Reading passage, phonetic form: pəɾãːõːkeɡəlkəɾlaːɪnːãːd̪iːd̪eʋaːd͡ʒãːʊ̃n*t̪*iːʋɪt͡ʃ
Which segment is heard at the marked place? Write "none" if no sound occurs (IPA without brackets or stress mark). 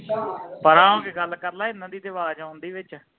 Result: d̪